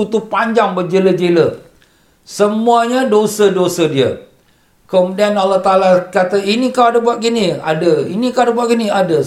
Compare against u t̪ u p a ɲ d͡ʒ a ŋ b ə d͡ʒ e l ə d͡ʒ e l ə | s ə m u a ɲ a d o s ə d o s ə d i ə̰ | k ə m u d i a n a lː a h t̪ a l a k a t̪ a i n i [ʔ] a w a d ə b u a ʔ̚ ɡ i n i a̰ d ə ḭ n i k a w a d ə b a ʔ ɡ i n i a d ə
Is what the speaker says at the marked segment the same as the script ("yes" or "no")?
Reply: no